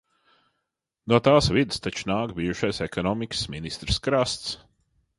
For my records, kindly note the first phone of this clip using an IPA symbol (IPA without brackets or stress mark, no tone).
n